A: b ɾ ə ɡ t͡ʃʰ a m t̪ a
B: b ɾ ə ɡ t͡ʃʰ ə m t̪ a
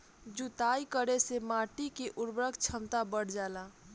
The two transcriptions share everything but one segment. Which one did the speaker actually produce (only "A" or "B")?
B